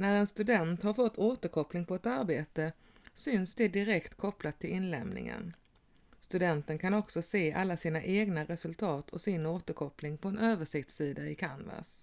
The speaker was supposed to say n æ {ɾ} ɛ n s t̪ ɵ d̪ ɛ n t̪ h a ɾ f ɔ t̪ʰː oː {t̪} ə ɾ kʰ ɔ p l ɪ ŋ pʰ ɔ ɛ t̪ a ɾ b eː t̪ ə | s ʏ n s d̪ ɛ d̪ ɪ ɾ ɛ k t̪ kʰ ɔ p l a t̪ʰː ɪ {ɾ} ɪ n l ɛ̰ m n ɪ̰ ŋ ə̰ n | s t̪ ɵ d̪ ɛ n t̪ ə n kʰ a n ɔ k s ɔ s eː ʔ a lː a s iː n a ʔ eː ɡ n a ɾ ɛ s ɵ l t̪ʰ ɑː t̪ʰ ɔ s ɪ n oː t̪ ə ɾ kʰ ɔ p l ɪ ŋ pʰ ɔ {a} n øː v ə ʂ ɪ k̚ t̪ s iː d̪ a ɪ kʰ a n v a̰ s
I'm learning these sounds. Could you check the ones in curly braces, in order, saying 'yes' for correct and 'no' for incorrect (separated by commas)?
yes, yes, no, no